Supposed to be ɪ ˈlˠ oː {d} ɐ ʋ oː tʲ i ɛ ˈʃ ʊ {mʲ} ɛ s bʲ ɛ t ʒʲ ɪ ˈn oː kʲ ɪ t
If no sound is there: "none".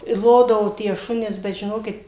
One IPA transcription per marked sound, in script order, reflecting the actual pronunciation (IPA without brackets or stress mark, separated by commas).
d, nʲ